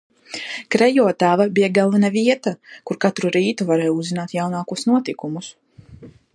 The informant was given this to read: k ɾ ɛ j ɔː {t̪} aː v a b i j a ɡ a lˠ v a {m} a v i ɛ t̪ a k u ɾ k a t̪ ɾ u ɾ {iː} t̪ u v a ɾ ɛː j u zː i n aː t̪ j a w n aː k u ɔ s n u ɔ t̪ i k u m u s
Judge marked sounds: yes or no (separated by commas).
yes, no, yes